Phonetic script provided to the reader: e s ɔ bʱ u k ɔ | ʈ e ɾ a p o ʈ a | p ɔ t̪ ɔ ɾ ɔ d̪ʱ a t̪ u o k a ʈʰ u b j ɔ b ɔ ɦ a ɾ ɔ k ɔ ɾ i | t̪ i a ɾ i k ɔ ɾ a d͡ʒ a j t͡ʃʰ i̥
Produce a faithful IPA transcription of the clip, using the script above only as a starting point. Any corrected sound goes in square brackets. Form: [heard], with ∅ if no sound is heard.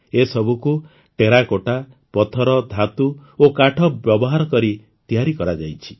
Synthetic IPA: e s ɔ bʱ u k [u] | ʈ e ɾ a [k] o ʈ a | p ɔ [t̪ʰ] ɔ ɾ ɔ d̪ʱ a t̪ u o k a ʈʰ [ɔ] b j ɔ b ɔ ɦ a ɾ ɔ k ɔ ɾ i | t̪ i a ɾ i k ɔ ɾ a d͡ʒ a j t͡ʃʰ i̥

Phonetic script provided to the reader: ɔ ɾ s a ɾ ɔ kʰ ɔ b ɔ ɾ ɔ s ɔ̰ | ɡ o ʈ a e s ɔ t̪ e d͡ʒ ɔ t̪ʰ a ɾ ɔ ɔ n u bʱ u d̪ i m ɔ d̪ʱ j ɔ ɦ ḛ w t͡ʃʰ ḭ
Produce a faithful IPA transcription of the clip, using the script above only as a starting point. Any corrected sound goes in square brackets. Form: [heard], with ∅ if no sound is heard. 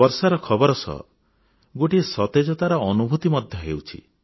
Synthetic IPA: ɔ ɾ s a ɾ ɔ kʰ ɔ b ɔ ɾ ɔ s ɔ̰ | ɡ o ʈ [i] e s ɔ t̪ e d͡ʒ ɔ [t̪] a ɾ ɔ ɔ n u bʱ u [t̪] i m ɔ d̪ʱ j ɔ ɦ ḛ w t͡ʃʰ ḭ

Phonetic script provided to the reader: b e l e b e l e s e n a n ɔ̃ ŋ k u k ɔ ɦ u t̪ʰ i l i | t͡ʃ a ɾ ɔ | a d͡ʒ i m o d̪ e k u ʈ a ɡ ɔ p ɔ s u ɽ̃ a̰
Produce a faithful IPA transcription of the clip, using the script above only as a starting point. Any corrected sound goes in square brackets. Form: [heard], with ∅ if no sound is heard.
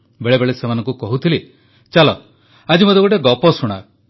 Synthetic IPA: b e [ɭ] e b e [ɭ] e s e [m] a n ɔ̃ ŋ k u k ɔ ɦ u t̪ʰ i l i | t͡ʃ a [l] ɔ | a d͡ʒ i m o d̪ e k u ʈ [e] ɡ ɔ p ɔ s u ɽ̃ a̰

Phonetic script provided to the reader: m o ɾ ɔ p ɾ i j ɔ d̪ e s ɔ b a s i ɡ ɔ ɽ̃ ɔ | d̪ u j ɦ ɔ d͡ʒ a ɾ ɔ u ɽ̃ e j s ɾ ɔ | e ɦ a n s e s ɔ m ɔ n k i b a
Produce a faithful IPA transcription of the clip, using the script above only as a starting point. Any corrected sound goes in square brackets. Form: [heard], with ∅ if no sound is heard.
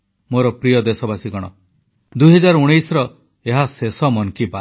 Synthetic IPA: m o ɾ ɔ p ɾ i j ɔ d̪ e s ɔ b a s i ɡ ɔ ɽ̃ ɔ | d̪ u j ɦ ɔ d͡ʒ a ɾ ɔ u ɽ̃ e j s ɾ ɔ | e ɦ a [∅] s e s ɔ m ɔ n k i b a

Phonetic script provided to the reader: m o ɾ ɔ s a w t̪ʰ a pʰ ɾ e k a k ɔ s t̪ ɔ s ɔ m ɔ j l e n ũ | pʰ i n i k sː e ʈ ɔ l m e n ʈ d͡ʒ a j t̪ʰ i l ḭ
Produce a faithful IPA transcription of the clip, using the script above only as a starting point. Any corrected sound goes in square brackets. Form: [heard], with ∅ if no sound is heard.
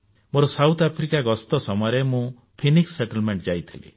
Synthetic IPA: m o ɾ ɔ s a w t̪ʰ a pʰ ɾ [i] k a [ɡ] ɔ s t̪ ɔ s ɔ m ɔ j [ɾ] e [m] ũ | pʰ i n i k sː e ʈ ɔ l m e [ɳ] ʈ d͡ʒ a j t̪ʰ i l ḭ

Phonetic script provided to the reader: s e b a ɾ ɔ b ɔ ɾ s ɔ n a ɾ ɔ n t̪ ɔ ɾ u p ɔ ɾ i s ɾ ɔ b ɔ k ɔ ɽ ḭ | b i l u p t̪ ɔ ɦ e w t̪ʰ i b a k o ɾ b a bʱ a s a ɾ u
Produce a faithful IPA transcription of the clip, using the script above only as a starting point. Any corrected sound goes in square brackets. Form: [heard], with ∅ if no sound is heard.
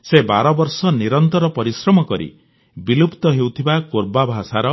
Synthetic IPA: s e b a ɾ ɔ b ɔ ɾ s ɔ n [i] ɾ ɔ n t̪ ɔ ɾ [ɔ] p ɔ ɾ i s ɾ ɔ [m] ɔ k ɔ [ɾ] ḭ | b i l u p t̪ ɔ ɦ e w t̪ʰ i b a k o ɾ b a bʱ a s a ɾ [ɔ]

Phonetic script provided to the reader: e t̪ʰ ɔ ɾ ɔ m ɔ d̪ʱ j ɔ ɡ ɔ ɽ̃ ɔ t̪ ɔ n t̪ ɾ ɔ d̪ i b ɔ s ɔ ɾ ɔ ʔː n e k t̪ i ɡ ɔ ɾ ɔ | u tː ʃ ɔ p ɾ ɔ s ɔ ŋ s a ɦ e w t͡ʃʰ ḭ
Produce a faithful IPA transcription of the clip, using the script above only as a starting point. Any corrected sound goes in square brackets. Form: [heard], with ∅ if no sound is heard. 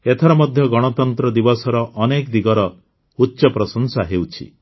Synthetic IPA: e t̪ʰ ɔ ɾ ɔ m ɔ d̪ʱ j ɔ ɡ ɔ ɽ̃ ɔ t̪ ɔ n t̪ ɾ ɔ d̪ i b ɔ s ɔ ɾ ɔ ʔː n e k [d̪] i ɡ ɔ ɾ ɔ | u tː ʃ ɔ p ɾ ɔ s ɔ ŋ s a ɦ e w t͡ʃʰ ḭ

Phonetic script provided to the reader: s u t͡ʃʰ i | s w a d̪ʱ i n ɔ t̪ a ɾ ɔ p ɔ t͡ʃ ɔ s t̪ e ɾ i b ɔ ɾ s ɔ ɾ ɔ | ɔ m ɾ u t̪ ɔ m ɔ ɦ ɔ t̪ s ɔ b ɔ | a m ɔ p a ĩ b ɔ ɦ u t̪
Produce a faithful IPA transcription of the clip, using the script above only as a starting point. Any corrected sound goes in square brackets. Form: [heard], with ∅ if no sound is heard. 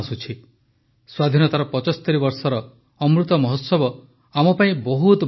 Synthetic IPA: s u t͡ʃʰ i | s w a d̪ʱ i n ɔ t̪ a ɾ ɔ p ɔ t͡ʃ ɔ s t̪ e ɾ i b ɔ ɾ s ɔ ɾ ɔ | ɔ m ɾ u t̪ ɔ m ɔ ɦ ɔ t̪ s ɔ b ɔ | a m ɔ p a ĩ b ɔ ɦ u t̪

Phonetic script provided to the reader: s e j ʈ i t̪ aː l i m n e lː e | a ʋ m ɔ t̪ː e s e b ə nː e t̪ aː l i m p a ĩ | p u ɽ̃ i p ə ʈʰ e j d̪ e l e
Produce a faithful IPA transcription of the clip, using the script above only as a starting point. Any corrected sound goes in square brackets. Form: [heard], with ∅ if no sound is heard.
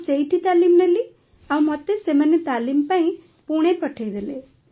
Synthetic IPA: s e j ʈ i t̪ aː l i m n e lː [i] | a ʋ m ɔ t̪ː e s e [m] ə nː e t̪ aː l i m p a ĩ | p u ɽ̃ [e] p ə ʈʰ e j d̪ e l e

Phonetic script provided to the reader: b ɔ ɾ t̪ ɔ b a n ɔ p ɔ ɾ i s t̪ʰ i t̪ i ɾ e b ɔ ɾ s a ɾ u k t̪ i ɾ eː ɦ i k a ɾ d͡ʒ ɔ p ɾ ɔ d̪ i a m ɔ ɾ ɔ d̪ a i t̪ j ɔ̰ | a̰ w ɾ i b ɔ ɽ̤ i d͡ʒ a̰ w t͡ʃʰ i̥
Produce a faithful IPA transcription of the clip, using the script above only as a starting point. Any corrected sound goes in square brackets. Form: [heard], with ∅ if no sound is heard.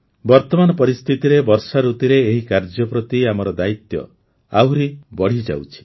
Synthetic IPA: b ɔ ɾ t̪ ɔ [m] a n ɔ p ɔ ɾ i s t̪ʰ i t̪ i ɾ e b ɔ ɾ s a ɾ u [∅] t̪ i ɾ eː ɦ i k a ɾ d͡ʒ ɔ p ɾ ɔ [t̪] i a m ɔ ɾ ɔ d̪ a i t̪ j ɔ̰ | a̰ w ɾ i b ɔ ɽ̤ i d͡ʒ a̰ w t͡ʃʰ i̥

